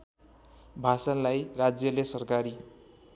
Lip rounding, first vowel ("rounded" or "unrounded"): unrounded